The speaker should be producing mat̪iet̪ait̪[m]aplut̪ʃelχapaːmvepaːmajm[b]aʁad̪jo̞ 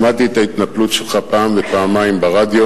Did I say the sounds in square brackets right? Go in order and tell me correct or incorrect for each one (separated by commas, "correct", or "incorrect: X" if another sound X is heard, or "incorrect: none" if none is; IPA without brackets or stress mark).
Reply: incorrect: n, correct